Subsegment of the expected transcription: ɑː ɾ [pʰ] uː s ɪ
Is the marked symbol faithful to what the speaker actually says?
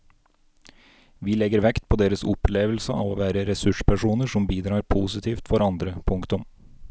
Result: yes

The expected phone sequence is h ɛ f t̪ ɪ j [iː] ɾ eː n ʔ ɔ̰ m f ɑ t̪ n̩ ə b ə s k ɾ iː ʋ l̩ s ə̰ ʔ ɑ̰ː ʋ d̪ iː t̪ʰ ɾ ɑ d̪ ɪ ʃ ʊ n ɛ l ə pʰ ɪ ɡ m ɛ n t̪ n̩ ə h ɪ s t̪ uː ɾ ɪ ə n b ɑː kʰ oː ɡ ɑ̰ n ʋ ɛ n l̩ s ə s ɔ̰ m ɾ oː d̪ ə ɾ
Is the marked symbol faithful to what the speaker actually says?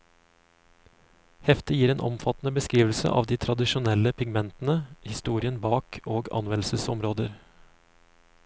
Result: yes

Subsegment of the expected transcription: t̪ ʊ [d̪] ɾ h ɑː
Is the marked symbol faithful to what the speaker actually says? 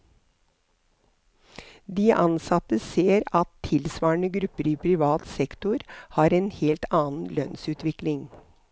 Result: no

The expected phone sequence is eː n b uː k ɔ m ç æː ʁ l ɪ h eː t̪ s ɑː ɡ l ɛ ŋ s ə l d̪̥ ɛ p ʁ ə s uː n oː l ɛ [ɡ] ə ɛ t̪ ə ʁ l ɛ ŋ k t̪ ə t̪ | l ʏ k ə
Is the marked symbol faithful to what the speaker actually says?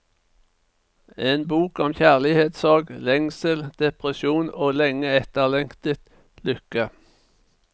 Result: no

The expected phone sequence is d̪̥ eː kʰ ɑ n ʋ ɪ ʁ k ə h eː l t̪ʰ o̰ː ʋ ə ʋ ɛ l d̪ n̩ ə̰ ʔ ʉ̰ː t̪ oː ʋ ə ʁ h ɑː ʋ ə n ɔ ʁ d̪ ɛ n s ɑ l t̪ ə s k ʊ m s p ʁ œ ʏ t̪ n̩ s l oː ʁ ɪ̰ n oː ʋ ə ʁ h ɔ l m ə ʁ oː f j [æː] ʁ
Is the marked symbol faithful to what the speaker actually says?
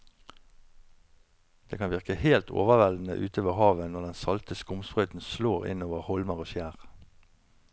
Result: yes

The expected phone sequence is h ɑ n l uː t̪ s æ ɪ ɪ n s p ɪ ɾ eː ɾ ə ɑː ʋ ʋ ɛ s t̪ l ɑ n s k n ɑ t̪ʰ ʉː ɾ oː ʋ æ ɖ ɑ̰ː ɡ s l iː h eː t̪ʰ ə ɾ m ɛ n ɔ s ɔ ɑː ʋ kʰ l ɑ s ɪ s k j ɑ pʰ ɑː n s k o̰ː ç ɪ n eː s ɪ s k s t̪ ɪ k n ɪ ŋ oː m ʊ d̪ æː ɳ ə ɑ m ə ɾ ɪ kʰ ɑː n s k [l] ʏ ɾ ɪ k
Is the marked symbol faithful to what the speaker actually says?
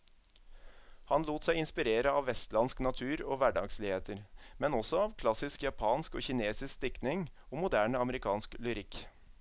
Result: yes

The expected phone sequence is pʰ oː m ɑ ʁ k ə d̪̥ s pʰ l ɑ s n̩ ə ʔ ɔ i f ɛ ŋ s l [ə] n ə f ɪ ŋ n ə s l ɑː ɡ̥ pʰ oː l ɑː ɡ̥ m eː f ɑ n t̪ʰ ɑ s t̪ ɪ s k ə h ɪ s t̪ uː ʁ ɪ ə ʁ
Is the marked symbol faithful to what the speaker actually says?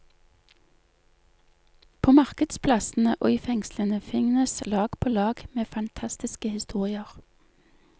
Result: yes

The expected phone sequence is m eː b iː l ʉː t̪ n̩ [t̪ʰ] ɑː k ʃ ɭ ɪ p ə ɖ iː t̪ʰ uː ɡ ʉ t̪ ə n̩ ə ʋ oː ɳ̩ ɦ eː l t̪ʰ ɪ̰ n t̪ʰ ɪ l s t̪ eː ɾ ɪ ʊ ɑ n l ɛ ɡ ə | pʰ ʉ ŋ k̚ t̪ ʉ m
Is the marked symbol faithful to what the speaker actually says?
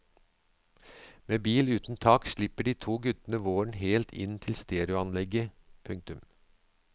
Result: yes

